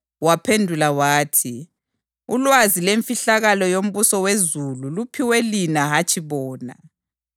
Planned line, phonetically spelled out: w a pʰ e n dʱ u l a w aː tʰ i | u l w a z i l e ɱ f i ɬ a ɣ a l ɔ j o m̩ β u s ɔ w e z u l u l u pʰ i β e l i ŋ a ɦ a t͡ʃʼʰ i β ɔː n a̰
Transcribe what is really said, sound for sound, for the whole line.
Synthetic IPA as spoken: w a pʰ e n dʱ u l a w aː tʰ i | u l w a z i l e ɱ f i ɬ a ɣ a l ɔ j o m̩ β u s ɔ w e z u l u l u pʰ i w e l i n a ɦ a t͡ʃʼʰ i β ɔː n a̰

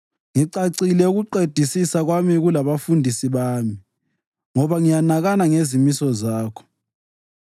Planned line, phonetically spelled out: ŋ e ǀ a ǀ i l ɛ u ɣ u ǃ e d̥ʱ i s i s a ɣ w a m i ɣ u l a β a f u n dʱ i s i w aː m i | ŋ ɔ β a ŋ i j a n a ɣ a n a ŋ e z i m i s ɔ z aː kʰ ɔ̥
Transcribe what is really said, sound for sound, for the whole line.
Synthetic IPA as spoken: ŋ i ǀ a ǀ i l ɛ u ɣ u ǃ e d̥ʱ i s i s a ɣ w a m i ɣ u l a β a f u n dʱ i s i β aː m i | ŋ ɔ β a ŋ i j a n a ɣ a n a ŋ e z i m i s ɔ z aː kʰ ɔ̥

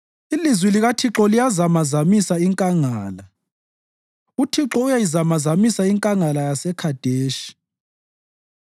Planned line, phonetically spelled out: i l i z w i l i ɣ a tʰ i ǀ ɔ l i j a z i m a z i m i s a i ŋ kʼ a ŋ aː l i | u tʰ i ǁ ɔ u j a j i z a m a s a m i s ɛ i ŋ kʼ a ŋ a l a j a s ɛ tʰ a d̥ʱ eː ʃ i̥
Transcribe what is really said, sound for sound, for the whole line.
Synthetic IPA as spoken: i l i z w i l i ɣ a tʰ i ǁ ɔ l i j a z a m a z a m i s a i ŋ kʼ a ŋ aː l a | u tʰ i ǁ ɔ u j a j i z a m a z a m i s a i ŋ kʼ a ŋ a l a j a s ɛ kʰ a d̥ʱ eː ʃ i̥

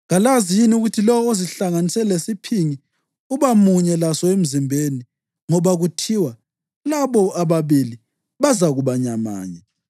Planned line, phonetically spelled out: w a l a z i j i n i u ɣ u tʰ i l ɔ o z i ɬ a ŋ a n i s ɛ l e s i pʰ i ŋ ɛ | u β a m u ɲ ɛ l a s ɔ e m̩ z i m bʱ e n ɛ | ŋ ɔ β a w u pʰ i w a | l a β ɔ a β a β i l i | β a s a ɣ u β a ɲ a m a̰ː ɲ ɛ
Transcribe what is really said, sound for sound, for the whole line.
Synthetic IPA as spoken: ɣ a l a z i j i n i u ɣ u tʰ i l ɔ o z i ɬ a ŋ a n i s ɛ l e s i pʰ i ŋ i | u β a m u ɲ ɛ l a s ɔ e m̩ z i m bʱ e n i | ŋ ɔ β a ɣ u tʰ i w a | l a β ɔ a β a β i l i | β a z a ɣ u β a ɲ a m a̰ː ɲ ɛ

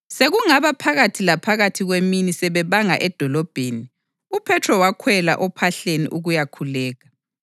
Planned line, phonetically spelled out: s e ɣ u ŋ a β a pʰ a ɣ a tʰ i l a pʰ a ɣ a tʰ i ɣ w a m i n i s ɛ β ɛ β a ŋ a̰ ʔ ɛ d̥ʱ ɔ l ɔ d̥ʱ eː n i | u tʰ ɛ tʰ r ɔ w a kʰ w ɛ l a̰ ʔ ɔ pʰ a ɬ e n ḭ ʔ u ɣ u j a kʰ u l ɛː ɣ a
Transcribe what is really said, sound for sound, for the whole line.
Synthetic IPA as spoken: s e ɣ u ŋ a β a pʰ a ɣ a tʰ i l a pʰ a ɣ a tʰ i ɣ w e m i n i s ɛ β ɛ β a ŋ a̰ ʔ ɛ d̥ʱ ɔ l ɔ b̥ʱ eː n i | u pʰ ɛ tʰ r ɔ w a kʰ w ɛ l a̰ ʔ ɔ pʰ a ɬ e n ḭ ʔ u ɣ u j a kʰ u l ɛː ɣ a

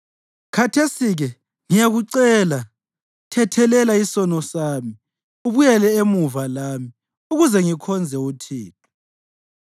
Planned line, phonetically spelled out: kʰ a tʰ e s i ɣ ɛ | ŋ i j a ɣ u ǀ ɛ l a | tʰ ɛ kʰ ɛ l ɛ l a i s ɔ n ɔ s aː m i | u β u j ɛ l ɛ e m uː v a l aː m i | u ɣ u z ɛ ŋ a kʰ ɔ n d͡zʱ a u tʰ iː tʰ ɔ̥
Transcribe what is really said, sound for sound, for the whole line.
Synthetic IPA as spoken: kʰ a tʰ e s i ɣ ɛ | ŋ i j a ɣ u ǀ ɛ l a | tʰ ɛ tʰ ɛ l ɛ l a i s ɔ n ɔ s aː m i | u β u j ɛ l ɛ e m u v a l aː m i | u ɣ u z ɛ ŋ i kʰ ɔ n d͡zʱ ɛ u tʰ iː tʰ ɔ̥

